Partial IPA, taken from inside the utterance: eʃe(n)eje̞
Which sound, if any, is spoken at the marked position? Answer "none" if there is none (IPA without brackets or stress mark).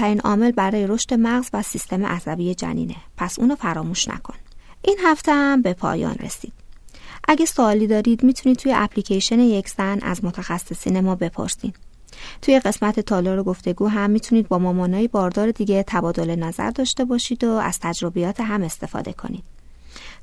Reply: n